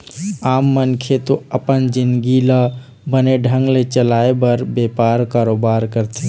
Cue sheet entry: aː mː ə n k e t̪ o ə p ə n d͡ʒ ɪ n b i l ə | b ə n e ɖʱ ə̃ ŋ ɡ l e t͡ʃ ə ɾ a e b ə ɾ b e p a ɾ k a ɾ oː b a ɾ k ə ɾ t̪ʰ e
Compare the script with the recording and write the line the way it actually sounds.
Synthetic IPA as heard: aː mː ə n kʰ e t̪ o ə p ə n d͡ʒ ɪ n ɡ i l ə | b ə n e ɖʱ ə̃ ŋ ɡ l e t͡ʃ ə l a e b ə ɾ b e p a ɾ k a ɾ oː b a ɾ k ə ɾ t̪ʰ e